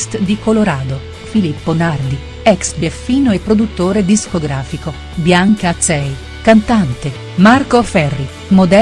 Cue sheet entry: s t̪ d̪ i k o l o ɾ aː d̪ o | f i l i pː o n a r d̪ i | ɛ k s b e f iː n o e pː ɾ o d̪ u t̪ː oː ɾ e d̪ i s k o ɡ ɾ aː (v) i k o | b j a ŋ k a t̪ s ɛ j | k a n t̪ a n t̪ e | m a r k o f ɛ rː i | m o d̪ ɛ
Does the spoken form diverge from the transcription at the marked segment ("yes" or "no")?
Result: yes